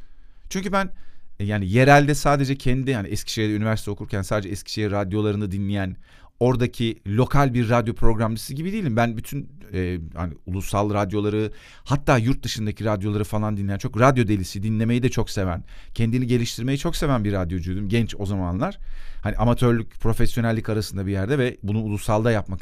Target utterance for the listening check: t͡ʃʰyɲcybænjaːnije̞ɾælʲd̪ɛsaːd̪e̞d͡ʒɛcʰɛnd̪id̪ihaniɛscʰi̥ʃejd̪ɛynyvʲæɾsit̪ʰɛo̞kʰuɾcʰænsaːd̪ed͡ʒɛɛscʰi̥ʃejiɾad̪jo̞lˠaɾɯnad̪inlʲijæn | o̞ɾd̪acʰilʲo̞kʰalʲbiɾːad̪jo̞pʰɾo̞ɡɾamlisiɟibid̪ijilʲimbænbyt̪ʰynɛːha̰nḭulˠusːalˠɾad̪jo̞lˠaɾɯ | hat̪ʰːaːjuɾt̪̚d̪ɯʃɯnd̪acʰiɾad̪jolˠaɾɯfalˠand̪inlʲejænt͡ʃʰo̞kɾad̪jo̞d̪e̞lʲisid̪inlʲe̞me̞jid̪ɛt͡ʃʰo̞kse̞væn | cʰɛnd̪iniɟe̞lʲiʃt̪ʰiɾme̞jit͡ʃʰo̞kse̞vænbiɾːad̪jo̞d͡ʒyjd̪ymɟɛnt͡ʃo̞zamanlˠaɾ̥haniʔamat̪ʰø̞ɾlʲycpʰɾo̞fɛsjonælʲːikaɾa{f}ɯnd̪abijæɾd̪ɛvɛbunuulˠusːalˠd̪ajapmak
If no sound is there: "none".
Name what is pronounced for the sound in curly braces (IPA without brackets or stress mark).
s